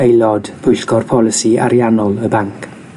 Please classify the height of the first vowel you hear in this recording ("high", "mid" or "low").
mid